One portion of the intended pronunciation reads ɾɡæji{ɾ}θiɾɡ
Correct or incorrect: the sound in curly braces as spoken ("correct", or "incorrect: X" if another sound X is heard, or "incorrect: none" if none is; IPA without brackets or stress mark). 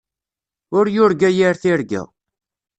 correct